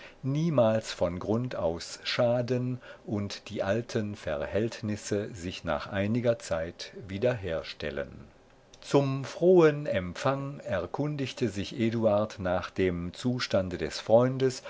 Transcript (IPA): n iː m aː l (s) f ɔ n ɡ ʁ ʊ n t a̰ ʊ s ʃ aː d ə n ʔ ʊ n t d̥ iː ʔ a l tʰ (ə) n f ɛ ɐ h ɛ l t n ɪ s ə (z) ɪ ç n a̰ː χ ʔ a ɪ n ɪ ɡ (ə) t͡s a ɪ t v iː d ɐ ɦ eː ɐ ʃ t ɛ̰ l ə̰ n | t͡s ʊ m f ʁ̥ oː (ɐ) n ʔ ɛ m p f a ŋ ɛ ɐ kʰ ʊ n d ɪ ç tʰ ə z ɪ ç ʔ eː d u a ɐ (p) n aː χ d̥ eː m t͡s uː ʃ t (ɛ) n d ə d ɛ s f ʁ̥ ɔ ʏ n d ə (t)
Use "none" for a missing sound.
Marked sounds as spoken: s, ə, z, ɐ, ə, t, a, s

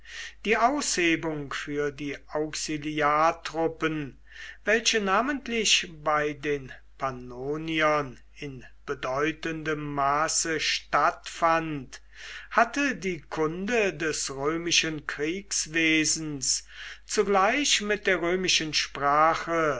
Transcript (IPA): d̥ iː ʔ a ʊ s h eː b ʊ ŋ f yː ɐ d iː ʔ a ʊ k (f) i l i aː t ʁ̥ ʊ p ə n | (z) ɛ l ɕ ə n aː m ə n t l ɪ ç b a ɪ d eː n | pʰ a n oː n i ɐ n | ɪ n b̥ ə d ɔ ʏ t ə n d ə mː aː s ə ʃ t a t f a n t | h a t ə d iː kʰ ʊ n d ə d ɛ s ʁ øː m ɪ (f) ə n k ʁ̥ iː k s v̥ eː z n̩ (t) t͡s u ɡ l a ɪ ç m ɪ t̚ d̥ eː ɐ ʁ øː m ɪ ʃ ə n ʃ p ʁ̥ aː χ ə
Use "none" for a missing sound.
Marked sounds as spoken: s, v, ʃ, s

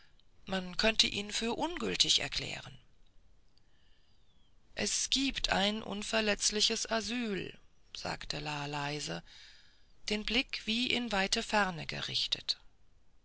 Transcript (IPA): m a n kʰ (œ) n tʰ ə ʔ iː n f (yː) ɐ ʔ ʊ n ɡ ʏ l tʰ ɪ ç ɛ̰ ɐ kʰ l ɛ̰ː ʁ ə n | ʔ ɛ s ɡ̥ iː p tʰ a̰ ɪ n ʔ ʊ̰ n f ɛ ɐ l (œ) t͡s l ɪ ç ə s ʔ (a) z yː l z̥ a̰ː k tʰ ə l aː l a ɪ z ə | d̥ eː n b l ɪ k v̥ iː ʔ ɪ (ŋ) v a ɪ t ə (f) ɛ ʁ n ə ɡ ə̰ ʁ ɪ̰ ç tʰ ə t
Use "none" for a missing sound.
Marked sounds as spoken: œ, yː, ɛ, a, n, f

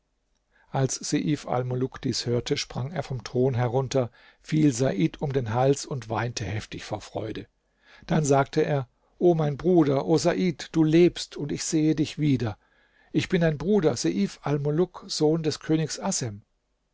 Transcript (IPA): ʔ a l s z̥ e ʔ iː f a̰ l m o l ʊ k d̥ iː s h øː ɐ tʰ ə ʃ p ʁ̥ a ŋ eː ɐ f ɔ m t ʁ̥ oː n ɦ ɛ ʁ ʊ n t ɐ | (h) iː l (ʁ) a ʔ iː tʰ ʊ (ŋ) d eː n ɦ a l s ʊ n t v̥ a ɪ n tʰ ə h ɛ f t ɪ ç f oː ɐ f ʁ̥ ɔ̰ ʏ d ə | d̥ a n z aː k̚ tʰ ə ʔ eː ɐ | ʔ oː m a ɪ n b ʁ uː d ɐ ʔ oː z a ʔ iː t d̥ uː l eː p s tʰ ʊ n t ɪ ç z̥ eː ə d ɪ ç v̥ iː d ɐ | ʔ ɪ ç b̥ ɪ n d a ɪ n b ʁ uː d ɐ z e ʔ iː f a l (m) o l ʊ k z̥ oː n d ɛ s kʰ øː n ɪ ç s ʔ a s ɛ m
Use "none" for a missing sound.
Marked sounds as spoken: f, z, m, m

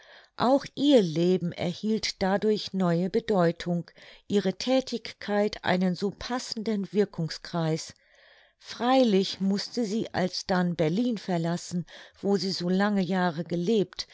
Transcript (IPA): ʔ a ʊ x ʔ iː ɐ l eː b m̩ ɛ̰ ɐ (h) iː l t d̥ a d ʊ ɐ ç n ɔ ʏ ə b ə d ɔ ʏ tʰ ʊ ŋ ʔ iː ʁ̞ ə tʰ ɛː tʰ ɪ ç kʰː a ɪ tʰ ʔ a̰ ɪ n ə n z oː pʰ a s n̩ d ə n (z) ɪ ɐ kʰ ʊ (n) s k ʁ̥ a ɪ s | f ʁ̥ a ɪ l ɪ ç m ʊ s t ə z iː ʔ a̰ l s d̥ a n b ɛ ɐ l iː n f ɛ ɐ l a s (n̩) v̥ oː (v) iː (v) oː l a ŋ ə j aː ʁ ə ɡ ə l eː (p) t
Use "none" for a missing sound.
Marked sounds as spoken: h, v, ŋ, n̩, z, z, p

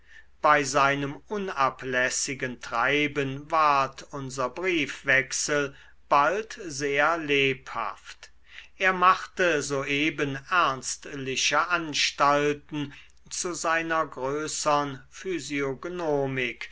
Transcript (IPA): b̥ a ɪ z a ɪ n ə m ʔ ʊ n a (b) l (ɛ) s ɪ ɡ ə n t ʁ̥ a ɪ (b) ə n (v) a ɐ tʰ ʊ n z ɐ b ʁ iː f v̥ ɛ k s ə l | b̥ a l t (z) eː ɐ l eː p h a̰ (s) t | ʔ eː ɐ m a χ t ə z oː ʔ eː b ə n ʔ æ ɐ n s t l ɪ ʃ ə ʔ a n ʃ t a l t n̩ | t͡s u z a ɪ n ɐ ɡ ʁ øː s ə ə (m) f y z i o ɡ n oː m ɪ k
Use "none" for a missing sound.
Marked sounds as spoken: p, ɛ, b, v, z, f, n

